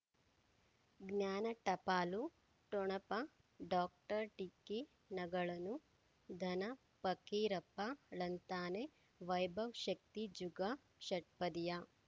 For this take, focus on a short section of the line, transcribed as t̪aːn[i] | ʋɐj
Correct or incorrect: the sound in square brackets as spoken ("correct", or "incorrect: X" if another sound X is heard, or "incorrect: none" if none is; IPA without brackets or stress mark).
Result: incorrect: e